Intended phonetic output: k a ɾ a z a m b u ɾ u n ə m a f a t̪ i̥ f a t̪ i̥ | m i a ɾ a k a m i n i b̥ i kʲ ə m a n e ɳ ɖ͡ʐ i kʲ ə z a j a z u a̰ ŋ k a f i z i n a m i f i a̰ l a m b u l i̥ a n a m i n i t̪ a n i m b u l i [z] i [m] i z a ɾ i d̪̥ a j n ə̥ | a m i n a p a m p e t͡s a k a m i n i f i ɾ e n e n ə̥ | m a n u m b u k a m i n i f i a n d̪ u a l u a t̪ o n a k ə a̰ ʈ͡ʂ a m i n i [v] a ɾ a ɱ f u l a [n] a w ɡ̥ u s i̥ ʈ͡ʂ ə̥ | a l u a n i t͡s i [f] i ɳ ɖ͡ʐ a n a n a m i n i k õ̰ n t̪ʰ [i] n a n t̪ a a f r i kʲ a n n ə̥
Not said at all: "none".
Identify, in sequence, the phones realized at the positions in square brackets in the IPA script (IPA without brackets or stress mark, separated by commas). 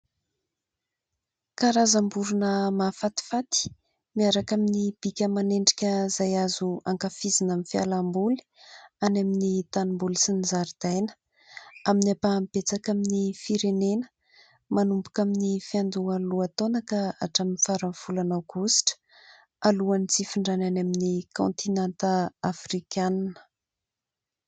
s, n, f, n, f, i